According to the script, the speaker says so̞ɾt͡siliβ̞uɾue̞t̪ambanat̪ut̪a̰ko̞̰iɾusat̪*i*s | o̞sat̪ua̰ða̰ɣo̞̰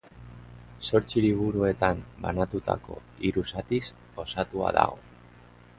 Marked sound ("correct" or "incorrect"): correct